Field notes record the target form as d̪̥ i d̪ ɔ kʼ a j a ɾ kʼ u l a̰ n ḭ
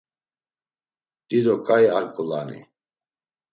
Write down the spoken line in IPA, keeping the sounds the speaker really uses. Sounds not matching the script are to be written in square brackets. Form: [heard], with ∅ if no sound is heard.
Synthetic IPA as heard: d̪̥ i d̪ ɔ kʼ a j a ɾ kʼ u l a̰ n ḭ